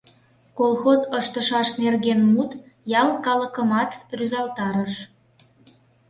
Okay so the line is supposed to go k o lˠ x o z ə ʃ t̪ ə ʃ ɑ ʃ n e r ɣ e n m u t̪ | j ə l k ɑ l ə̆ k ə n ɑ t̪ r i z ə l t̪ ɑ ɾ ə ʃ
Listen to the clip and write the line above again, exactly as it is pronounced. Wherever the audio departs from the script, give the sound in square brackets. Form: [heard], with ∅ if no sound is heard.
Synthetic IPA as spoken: k o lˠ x o z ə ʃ t̪ ə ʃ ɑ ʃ n e r ɣ e n m u t̪ | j [ɑ] l k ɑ l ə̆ k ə [m] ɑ t̪ r [y] z [ɑ] l t̪ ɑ ɾ ə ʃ